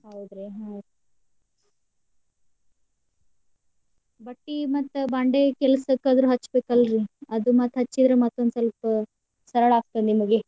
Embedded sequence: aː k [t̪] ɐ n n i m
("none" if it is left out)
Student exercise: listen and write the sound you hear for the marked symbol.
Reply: t̪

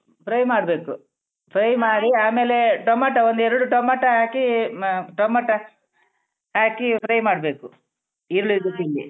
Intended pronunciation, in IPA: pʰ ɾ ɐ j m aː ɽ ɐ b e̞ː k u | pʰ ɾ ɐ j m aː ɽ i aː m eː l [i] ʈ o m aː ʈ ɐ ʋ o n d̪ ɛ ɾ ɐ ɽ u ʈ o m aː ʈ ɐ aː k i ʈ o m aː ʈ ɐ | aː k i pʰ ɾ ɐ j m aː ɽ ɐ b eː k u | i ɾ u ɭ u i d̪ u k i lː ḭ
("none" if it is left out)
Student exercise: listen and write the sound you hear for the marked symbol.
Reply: e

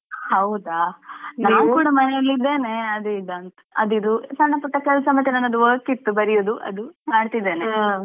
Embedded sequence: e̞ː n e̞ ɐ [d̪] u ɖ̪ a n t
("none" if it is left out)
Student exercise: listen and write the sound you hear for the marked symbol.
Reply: d̪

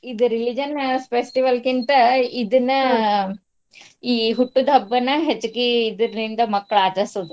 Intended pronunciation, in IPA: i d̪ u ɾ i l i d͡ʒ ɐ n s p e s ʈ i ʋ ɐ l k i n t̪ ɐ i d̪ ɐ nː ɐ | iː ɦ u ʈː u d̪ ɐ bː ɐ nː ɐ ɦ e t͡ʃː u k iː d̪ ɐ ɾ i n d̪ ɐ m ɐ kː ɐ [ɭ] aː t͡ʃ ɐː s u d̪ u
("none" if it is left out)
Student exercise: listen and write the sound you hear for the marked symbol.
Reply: ɭ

